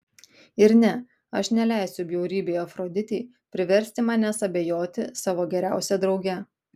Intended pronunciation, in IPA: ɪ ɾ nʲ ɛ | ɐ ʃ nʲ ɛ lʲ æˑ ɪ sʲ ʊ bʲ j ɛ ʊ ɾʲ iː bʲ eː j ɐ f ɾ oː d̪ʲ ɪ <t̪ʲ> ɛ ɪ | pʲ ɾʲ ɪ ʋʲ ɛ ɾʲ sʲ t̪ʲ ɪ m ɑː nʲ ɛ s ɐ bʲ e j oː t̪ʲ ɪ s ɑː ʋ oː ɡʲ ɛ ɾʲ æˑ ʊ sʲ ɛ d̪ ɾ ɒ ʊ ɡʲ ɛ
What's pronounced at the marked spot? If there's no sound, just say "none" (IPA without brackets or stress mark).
t̪ʲ